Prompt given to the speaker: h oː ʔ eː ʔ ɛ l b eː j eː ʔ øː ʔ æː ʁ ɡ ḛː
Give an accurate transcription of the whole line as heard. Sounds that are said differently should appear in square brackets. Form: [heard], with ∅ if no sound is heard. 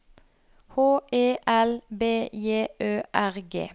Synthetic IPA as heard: h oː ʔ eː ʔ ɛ l b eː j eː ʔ øː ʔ [æ] ʁ ɡ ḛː

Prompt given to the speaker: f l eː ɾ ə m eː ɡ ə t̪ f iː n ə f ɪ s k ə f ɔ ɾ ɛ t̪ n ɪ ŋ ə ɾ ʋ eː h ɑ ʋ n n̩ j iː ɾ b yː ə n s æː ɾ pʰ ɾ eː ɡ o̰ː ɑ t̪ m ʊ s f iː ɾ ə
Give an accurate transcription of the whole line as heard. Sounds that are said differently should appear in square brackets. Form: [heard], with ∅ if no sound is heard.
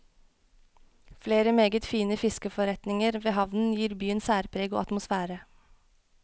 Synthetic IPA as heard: f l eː ɾ ə m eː ɡ ə t̪ f iː n ə f ɪ s k ə f ɔ ɾ ɛ t̪ n ɪ ŋ ə ɾ ʋ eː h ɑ ʋ n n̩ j iː ɾ b yː ə n s æː ɾ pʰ ɾ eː ɡ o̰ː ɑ t̪ m ʊ s f [æː] ɾ ə

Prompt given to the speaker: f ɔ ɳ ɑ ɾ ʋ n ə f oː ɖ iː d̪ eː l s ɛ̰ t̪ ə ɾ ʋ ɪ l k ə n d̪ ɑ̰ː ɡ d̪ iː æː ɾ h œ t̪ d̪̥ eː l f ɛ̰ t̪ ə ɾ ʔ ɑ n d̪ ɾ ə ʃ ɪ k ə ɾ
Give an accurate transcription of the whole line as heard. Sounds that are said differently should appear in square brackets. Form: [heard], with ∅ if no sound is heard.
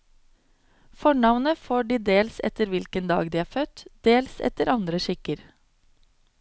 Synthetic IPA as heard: f ɔ ɳ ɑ [∅] ʋ n ə f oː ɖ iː d̪ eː l s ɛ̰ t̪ ə ɾ ʋ ɪ l k ə n d̪ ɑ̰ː ɡ d̪ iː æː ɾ [f] œ t̪ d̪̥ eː l [s] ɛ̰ t̪ ə ɾ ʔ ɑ n d̪ ɾ ə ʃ ɪ k ə ɾ

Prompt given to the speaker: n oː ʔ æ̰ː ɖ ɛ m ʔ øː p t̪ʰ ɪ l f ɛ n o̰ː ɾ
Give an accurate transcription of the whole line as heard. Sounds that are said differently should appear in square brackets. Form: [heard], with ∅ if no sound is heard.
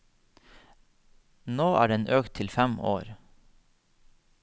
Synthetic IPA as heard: n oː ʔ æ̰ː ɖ ɛ [n] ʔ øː [k] t̪ʰ ɪ l f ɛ [m] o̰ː ɾ

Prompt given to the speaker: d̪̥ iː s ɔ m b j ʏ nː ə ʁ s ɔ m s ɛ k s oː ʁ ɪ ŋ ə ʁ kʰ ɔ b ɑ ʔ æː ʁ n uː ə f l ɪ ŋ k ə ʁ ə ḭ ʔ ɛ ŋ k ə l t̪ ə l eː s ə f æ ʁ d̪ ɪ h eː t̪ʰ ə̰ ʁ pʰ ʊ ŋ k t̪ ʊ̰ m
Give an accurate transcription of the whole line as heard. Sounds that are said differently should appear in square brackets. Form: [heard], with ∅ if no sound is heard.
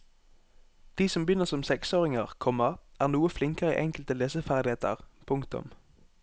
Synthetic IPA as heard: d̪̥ iː s ɔ m b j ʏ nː ə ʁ s ɔ m s ɛ k s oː ʁ ɪ ŋ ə ʁ kʰ ɔ [m] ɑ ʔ æː ʁ n uː ə f l ɪ ŋ k ə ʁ ə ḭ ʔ ɛ ŋ k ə l t̪ ə l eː s ə f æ ʁ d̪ ɪ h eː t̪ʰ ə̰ ʁ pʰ ʊ ŋ k t̪ ʊ̰ m

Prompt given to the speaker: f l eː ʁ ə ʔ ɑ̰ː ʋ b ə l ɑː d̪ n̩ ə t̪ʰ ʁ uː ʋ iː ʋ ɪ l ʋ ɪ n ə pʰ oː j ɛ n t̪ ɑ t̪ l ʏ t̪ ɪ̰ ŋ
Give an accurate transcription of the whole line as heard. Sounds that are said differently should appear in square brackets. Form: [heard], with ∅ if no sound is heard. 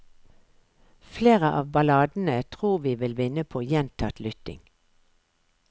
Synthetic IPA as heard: f l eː ʁ ə ʔ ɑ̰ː ʋ b [ɑ] l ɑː d̪ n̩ ə t̪ʰ ʁ uː ʋ iː ʋ ɪ l ʋ ɪ n ə pʰ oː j ɛ n [t̪ʰ] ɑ t̪ l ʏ t̪ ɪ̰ ŋ

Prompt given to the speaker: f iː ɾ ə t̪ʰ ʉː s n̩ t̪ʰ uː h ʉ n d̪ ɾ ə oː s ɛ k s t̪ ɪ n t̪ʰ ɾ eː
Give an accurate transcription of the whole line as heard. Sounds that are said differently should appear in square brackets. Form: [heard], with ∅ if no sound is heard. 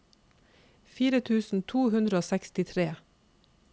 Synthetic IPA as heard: f iː ɾ ə t̪ʰ ʉː s n̩ t̪ʰ uː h ʉ n d̪ ɾ ə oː s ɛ k s t̪ ɪ [∅] t̪ʰ ɾ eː

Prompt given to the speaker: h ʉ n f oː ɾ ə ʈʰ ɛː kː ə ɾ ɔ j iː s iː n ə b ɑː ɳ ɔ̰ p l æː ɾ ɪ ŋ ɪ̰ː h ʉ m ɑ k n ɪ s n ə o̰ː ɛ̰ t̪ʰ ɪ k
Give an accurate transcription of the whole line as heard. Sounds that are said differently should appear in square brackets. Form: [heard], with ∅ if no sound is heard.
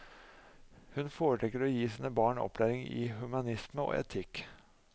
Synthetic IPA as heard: h ʉ n f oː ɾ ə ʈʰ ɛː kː ə ɾ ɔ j iː s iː n ə b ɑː ɳ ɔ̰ p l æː ɾ ɪ ŋ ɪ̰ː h ʉ m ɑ [∅] n ɪ s [m] ə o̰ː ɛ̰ t̪ʰ ɪ k

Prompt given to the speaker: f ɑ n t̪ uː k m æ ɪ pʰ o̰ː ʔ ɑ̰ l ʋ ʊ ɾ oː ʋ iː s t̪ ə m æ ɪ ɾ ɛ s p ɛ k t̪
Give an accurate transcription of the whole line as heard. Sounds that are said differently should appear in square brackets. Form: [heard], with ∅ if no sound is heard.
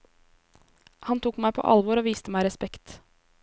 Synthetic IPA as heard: [h] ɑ n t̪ uː k m æ ɪ pʰ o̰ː ʔ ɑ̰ l ʋ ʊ ɾ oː ʋ iː s t̪ ə m æ ɪ ɾ ɛ s p ɛ k t̪

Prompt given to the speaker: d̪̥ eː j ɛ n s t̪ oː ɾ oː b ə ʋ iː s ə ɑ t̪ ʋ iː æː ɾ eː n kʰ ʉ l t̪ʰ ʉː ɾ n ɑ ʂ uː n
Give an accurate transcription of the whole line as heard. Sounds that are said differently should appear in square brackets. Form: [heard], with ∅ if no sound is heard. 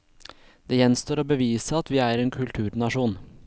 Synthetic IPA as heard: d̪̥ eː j ɛ n s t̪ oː ɾ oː b ə ʋ iː s ə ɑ t̪ ʋ iː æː ɾ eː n kʰ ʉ l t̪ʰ ʉː ɾ n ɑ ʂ uː n

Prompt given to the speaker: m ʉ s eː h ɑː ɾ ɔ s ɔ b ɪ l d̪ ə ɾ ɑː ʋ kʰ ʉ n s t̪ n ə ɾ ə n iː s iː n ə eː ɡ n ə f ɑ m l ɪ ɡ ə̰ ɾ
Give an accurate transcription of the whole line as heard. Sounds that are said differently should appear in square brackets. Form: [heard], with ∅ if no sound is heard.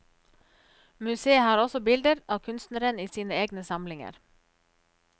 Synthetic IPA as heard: m ʉ s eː h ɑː ɾ ɔ s ɔ b ɪ l d̪ ə ɾ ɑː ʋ kʰ ʉ n s t̪ n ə ɾ ə n iː s iː n ə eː ɡ n ə [s] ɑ m l ɪ [ŋ] ə̰ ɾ

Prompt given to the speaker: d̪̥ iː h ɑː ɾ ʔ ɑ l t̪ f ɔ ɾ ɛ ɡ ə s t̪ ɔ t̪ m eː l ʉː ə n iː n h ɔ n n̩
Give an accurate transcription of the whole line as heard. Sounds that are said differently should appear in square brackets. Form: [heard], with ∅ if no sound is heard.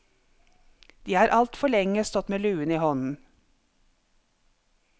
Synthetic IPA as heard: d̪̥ iː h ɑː ɾ ʔ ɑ l t̪ f ɔ [ɭ] ɛ [ŋ] ə s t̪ ɔ t̪ m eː l ʉː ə n iː [∅] h ɔ n n̩

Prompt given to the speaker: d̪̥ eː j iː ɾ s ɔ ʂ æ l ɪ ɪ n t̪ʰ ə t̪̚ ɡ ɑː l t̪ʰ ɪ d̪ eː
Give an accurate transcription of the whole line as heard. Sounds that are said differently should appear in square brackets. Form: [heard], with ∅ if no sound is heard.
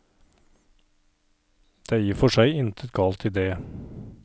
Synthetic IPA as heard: d̪̥ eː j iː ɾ [f] ɔ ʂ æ [∅] ɪ ɪ n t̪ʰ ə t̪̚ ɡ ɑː l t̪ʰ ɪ d̪ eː

